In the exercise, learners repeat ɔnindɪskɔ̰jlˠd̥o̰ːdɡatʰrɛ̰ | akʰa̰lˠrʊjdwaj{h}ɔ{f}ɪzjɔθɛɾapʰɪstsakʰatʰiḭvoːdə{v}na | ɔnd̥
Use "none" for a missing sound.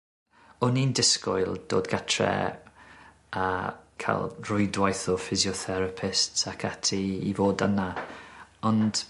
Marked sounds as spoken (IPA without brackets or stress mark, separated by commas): θ, f, none